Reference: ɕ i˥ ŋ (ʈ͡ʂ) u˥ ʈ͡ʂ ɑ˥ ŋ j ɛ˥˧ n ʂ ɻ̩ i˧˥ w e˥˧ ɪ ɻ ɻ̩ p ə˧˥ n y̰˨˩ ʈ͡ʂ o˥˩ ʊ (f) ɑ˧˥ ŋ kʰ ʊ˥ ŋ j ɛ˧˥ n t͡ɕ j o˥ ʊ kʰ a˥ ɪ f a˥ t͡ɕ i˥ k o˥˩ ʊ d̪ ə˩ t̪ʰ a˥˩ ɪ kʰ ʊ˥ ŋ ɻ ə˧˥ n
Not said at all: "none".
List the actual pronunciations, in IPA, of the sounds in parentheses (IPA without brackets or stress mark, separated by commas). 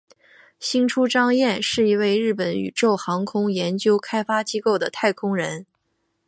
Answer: ʈ͡ʂʰ, x